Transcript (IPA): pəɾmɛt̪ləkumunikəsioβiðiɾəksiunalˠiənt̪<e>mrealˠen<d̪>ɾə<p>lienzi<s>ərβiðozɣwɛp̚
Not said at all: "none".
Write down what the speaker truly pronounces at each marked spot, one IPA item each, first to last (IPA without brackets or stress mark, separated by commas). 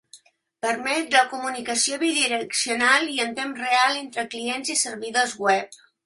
e, t̪, k, s